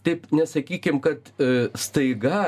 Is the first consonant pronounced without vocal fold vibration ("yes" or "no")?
yes